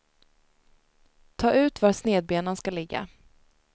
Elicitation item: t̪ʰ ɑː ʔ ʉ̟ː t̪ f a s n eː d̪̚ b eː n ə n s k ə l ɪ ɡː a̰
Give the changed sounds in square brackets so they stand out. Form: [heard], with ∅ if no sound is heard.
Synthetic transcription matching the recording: t̪ʰ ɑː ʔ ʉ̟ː t̪ [v] a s n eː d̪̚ b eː n ə n s k [a] l ɪ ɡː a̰